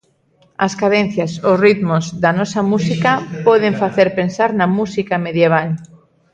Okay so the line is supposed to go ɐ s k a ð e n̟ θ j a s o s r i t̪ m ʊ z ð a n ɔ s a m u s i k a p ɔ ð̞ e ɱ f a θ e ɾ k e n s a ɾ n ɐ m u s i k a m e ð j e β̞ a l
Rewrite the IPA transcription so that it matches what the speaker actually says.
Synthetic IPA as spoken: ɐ s k a ð e n̟ θ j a s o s r i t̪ m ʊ z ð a n ɔ s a m u s i k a p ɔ ð̞ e ɱ f a θ e ɾ p e n s a ɾ n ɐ m u s i k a m e ð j e β̞ a l